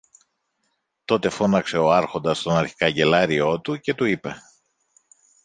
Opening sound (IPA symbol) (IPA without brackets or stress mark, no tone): t̪